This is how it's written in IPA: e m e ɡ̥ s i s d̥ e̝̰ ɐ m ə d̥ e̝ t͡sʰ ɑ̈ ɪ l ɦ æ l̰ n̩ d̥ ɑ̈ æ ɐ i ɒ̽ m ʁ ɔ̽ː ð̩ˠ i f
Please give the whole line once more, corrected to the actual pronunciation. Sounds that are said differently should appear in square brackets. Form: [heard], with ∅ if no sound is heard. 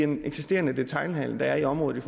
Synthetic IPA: e [n] e ɡ̥ s i s d̥ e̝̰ ɐ [n] ə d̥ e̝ t͡sʰ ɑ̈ ɪ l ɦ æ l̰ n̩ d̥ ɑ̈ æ ɐ i ɒ̽ m ʁ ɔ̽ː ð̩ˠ i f